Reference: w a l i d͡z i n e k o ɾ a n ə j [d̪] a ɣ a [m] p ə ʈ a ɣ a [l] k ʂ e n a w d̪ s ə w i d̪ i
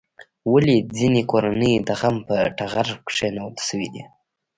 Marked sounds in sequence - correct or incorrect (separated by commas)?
correct, correct, incorrect